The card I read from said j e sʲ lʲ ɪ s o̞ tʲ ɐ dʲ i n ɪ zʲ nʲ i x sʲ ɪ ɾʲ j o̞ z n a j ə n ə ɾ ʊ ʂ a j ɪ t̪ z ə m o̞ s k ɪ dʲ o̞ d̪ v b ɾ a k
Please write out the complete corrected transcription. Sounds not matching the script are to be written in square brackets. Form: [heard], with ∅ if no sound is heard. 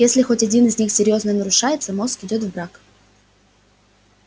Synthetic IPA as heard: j e sʲ lʲ ɪ [x] o̞ tʲ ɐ dʲ i n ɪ zʲ nʲ i x sʲ ɪ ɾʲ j o̞ z n [ə] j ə n ə ɾ ʊ ʂ a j ɪ t̪ [s] ə m o̞ s k ɪ dʲ o̞ [t̪] v b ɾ a k